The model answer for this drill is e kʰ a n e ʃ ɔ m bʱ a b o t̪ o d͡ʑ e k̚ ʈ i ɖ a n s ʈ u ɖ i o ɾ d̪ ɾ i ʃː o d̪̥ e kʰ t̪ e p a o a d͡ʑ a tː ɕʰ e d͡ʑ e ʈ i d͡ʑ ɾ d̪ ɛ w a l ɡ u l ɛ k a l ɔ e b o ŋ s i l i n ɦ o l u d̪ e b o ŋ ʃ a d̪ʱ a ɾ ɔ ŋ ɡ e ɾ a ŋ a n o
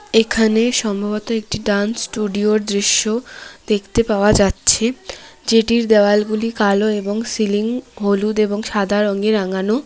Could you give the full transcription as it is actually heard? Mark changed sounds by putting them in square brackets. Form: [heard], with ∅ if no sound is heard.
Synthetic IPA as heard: e kʰ a n e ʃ ɔ m bʱ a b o t̪ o [∅] e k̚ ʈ i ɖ a n s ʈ u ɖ i o ɾ d̪ ɾ i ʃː o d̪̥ e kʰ t̪ e p a o a d͡ʑ a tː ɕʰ e d͡ʑ e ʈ i [∅] ɾ d̪ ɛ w a l ɡ u l [i] k a l [o] e b o ŋ s i l i [ŋ] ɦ o l u d̪ e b o ŋ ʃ a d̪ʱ a ɾ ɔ ŋ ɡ e ɾ a ŋ a n o